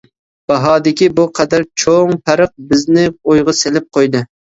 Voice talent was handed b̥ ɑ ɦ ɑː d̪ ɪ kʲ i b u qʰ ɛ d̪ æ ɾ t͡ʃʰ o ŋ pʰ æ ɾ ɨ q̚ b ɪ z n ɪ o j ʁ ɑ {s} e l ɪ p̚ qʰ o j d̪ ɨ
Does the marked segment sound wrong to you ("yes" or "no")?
no